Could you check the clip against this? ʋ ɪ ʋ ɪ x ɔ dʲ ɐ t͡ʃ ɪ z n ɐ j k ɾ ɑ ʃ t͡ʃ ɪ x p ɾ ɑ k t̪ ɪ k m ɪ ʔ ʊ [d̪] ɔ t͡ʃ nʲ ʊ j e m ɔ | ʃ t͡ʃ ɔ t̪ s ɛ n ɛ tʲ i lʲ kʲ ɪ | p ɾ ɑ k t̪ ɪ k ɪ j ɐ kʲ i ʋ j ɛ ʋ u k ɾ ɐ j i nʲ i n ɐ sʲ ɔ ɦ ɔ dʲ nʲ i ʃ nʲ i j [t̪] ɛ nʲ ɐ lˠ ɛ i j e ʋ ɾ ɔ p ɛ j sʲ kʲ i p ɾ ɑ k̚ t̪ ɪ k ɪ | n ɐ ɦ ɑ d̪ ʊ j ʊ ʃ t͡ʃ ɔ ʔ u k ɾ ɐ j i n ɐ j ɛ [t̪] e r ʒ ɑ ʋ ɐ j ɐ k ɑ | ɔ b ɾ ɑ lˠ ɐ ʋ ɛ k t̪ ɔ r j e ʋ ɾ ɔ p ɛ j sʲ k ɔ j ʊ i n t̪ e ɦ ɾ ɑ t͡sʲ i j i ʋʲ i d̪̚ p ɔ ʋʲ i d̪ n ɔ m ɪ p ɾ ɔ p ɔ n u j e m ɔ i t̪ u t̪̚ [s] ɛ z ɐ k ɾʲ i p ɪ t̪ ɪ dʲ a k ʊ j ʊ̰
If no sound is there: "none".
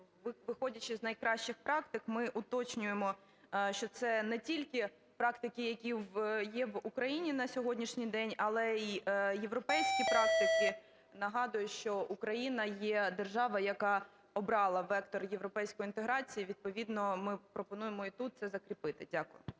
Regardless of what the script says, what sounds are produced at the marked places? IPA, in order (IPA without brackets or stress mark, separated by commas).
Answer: t̪, d̪, d̪, s